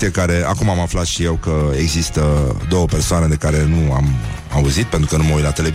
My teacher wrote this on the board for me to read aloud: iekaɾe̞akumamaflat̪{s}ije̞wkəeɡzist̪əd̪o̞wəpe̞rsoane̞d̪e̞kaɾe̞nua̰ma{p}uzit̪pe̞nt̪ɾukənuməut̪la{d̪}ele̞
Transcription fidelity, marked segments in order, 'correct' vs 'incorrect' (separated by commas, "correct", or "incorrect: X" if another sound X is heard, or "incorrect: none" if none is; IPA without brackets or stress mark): incorrect: ʃ, incorrect: none, incorrect: t̪